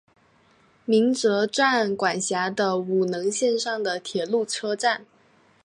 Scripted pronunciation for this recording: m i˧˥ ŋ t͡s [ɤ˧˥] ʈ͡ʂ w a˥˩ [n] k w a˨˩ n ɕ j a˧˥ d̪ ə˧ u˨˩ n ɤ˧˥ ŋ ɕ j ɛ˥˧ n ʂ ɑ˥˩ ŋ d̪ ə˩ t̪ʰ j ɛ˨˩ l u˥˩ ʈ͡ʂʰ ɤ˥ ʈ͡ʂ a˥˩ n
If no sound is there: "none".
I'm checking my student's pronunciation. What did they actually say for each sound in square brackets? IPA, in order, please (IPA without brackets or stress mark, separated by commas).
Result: ɤ˧˥, n